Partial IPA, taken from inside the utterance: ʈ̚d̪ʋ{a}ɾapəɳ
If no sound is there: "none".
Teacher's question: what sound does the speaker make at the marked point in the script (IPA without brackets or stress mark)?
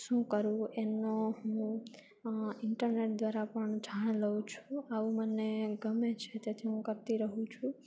a